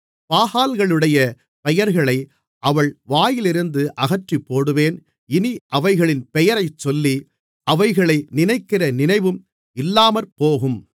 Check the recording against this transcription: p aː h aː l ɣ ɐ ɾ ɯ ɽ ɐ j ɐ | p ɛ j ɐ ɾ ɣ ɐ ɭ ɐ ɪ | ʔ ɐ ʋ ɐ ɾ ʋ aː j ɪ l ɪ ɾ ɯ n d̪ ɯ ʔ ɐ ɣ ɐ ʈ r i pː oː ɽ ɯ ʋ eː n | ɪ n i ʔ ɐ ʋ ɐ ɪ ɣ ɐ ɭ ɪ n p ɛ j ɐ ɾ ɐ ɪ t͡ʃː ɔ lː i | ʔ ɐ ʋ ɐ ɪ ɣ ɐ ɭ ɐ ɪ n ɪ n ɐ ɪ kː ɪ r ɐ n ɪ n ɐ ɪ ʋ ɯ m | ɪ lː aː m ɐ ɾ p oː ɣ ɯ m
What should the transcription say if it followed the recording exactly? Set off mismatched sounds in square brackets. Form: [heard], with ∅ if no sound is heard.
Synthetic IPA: p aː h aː l ɣ ɐ [ɭ] ɯ ɽ ɐ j ɐ | p ɛ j ɐ ɾ ɣ ɐ ɭ ɐ ɪ | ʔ ɐ ʋ ɐ [ɭ] ʋ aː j ɪ l ɪ ɾ ɯ n d̪ ɯ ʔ ɐ ɣ ɐ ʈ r i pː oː ɽ ɯ ʋ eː n | ɪ n i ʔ ɐ ʋ ɐ ɪ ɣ ɐ ɭ ɪ n p ɛ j ɐ ɾ ɐ ɪ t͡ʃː ɔ lː i | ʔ ɐ ʋ ɐ ɪ ɣ ɐ ɭ ɐ ɪ n ɪ n ɐ ɪ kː ɪ r ɐ n ɪ n ɐ ɪ ʋ ɯ m | ɪ lː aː m ɐ ɾ p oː ɣ ɯ m